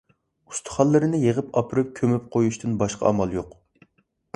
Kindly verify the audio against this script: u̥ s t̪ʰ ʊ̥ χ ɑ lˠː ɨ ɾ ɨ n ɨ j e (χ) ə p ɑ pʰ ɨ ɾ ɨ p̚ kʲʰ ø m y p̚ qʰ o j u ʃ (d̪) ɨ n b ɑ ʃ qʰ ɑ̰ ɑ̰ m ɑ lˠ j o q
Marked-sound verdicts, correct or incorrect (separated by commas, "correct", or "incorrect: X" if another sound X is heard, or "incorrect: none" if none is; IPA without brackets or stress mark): incorrect: ʁ, incorrect: t̪